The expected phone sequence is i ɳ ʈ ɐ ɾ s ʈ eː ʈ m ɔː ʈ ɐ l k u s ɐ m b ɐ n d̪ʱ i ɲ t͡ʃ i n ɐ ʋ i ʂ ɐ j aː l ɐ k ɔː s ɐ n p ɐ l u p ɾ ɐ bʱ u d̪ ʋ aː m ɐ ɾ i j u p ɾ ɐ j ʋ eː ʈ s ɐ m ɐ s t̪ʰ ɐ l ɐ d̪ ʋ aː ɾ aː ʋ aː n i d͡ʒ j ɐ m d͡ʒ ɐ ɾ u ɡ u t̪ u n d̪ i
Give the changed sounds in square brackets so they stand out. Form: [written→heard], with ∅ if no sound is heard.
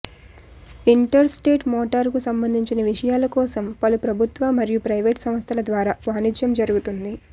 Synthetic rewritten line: i ɳ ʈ ɐ ɾ s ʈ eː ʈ m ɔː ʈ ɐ [l→ɾ] k u s ɐ m b ɐ n d̪ʱ i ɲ t͡ʃ i n ɐ ʋ i ʂ ɐ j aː l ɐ k ɔː s ɐ [n→m] p ɐ l u p ɾ ɐ bʱ u [d̪→t̪] ʋ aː m ɐ ɾ i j u p ɾ ɐ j ʋ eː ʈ s ɐ m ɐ s t̪ʰ ɐ l ɐ d̪ ʋ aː ɾ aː ʋ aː n i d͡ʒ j ɐ m d͡ʒ ɐ ɾ u ɡ u t̪ u n d̪ i